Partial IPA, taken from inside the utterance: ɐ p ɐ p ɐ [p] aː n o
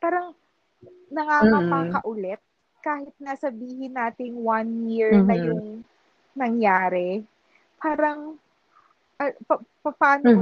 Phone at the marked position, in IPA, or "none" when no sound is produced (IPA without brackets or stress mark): p